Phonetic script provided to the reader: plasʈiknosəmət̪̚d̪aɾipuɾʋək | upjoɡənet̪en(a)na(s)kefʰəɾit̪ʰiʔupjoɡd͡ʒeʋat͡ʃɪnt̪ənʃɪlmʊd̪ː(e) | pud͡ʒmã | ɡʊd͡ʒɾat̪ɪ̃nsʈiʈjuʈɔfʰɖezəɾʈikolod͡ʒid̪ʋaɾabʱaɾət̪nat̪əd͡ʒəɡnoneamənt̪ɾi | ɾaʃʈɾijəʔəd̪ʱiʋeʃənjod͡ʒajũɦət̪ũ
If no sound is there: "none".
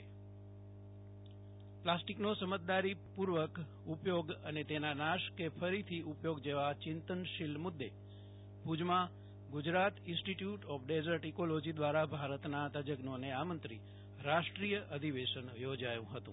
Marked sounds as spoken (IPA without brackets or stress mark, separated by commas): a, ʃ, e